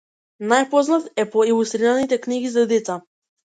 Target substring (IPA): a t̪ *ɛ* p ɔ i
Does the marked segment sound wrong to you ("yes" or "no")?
no